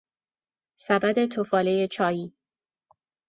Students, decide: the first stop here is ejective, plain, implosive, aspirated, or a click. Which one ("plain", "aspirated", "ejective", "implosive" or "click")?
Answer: plain